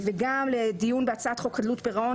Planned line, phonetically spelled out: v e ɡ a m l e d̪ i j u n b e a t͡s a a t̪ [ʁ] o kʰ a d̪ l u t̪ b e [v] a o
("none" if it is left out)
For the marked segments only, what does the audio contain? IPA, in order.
χ, ʁ

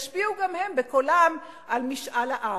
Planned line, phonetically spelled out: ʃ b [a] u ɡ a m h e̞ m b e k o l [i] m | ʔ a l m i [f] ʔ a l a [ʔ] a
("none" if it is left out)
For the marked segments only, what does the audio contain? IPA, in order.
i, a, ʃ, ʔ

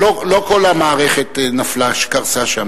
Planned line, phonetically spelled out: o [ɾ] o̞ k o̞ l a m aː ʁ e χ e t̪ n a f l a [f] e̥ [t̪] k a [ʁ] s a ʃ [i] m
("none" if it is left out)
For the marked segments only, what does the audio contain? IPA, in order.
l, ʃ, none, ʁ, a

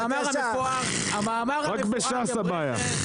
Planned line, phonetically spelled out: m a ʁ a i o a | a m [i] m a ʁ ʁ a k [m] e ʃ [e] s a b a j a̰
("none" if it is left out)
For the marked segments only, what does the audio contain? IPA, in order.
a, b, a

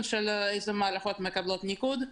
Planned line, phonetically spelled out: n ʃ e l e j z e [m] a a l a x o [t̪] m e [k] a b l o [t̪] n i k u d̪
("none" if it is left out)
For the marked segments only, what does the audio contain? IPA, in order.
m, t̪, k, t̪

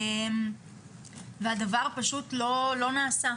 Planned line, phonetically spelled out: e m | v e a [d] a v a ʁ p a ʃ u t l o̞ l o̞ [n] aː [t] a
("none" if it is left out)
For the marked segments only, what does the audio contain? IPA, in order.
d, n, s

